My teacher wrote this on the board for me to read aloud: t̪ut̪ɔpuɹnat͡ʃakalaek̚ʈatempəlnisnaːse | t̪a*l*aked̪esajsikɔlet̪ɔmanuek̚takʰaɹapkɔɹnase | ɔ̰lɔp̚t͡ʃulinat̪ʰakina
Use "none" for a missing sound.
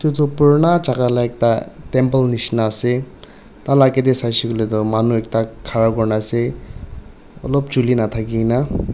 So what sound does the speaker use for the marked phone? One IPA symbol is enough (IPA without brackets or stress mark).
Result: l